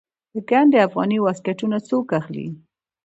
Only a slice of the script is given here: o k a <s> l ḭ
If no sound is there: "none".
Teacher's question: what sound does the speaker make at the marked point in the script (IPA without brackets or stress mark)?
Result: x